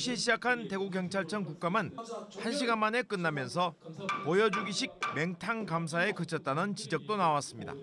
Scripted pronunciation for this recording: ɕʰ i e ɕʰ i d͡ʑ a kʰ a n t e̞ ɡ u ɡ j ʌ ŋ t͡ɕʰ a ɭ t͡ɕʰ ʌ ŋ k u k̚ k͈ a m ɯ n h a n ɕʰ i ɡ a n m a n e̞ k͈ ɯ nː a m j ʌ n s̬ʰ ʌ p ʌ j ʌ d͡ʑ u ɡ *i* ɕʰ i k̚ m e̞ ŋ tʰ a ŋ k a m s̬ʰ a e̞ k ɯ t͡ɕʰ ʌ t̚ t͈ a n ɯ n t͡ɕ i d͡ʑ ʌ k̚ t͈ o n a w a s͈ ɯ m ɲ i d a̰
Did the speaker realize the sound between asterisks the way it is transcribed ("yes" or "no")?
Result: yes